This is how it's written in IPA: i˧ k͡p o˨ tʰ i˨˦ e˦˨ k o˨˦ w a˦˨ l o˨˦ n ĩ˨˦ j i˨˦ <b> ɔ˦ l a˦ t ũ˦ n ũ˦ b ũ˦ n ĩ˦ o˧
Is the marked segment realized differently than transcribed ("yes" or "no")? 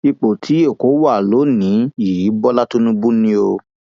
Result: no